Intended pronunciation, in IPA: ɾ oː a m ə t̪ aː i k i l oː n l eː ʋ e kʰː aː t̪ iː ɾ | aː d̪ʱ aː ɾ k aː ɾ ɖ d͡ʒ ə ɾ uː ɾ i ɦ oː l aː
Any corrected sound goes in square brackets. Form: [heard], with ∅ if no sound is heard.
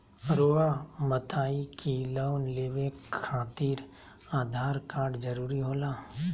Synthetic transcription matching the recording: ɾ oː a m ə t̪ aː i k i l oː n l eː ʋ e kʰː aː t̪ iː ɾ | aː d̪ʱ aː ɾ k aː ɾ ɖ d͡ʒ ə ɾ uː ɾ i ɦ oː l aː